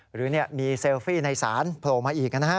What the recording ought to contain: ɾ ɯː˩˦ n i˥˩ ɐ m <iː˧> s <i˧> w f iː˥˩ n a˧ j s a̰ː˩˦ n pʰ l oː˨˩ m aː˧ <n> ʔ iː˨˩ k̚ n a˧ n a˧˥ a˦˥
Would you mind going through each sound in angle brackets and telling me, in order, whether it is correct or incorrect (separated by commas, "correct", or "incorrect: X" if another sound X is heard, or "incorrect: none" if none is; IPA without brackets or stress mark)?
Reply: correct, incorrect: e˧, incorrect: none